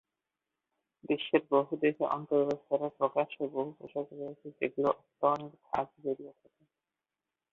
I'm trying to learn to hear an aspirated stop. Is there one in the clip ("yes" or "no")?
yes